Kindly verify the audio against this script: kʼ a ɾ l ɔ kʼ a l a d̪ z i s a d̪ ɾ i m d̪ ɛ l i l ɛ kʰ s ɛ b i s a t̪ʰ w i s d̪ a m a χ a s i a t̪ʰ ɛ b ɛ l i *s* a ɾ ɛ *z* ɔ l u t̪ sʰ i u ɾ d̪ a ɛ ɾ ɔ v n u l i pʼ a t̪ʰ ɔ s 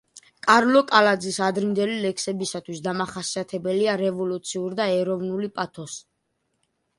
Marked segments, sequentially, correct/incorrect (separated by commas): incorrect, incorrect